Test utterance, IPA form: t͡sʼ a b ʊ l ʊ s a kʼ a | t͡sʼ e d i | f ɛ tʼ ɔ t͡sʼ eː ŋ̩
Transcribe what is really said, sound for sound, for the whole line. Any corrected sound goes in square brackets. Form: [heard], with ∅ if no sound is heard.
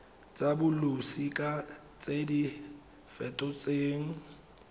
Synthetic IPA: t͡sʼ a b ʊ l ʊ s [i] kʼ a | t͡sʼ e d i | f ɛ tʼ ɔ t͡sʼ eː ŋ̩